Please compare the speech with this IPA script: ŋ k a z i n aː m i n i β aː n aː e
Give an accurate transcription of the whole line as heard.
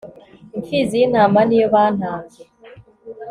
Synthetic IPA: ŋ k i z i n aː m a n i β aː n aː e